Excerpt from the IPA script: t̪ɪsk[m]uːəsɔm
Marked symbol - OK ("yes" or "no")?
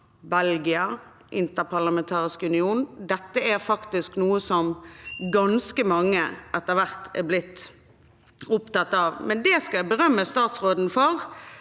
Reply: no